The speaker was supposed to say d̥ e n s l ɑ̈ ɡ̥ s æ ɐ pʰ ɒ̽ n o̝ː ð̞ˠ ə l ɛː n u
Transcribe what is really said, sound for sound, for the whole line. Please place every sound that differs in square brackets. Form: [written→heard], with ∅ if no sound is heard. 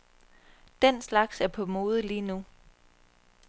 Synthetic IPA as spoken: d̥ e n s l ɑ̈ ɡ̥ s æ ɐ pʰ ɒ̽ [n→m] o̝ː ð̞ˠ ə l [ɛː→iː] n u